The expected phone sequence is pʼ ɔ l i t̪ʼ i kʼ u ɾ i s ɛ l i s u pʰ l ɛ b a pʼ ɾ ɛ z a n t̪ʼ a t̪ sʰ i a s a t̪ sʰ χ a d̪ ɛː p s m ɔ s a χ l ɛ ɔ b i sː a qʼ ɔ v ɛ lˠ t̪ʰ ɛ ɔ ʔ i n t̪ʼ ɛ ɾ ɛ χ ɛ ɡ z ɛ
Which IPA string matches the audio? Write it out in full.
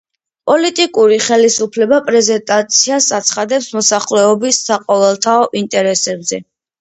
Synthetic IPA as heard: pʼ ɔ l i t̪ʼ i kʼ u ɾ i χ ɛ l i s u pʰ l ɛ b a pʼ ɾ ɛ z ɛ n t̪ʼ a t̪ sʰ i a s a t̪ sʰ χ a d̪ ɛ p s m ɔ s a χ l ɛ ɔ b i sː a qʼ ɔ v ɛ lˠ t̪ʰ a ɔ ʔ i n t̪ʼ ɛ ɾ ɛ s ɛ b z ɛ